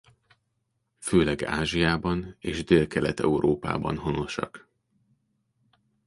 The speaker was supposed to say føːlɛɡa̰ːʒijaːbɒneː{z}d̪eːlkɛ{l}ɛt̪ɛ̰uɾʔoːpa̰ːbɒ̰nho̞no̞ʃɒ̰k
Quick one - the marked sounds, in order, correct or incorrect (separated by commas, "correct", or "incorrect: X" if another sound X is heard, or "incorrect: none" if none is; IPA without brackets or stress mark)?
incorrect: ʒ, correct